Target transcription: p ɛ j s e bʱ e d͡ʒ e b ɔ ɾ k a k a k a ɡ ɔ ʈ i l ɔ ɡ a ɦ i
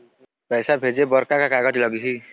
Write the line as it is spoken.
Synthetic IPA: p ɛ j s a bʱ e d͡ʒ e b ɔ ɾ k a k a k a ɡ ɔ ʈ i l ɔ ɡ i ɦ i